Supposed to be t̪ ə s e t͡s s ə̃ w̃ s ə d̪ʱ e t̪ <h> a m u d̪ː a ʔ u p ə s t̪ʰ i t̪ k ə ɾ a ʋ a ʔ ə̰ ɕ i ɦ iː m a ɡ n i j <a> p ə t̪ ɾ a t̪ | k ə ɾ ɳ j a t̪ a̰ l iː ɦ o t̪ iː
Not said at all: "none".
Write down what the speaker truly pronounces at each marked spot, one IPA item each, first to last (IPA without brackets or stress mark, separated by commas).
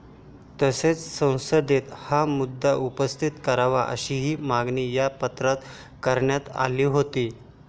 h, a